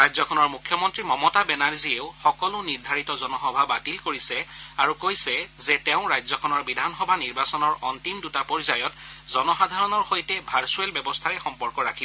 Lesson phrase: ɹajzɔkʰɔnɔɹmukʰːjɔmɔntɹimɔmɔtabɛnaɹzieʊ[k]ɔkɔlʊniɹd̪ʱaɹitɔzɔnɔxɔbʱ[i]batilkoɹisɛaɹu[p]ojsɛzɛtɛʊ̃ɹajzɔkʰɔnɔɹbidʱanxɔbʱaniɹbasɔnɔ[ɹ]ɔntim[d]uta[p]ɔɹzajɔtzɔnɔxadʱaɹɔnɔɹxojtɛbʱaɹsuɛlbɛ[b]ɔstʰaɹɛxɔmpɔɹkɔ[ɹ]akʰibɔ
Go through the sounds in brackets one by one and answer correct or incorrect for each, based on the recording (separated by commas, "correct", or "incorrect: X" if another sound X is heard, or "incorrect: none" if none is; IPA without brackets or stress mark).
incorrect: x, incorrect: a, incorrect: k, correct, correct, correct, correct, correct